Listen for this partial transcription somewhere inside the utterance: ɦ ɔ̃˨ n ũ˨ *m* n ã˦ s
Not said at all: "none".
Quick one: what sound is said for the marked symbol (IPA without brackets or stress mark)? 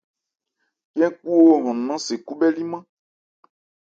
none